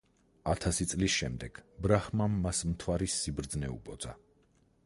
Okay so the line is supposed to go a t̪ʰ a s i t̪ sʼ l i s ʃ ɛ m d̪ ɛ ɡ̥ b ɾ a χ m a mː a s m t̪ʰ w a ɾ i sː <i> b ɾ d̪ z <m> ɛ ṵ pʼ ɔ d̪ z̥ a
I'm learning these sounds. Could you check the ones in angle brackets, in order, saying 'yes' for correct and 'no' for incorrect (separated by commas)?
yes, no